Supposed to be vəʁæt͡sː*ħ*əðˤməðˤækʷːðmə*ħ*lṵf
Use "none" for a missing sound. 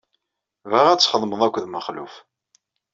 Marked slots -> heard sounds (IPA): χ, χ

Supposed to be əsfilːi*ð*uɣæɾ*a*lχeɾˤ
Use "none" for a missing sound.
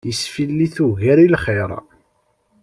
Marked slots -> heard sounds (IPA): θ, i

